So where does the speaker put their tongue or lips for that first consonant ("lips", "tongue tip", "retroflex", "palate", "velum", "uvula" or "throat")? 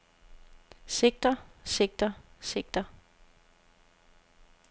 tongue tip